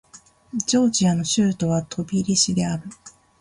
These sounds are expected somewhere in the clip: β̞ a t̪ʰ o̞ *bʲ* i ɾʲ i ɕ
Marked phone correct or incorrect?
correct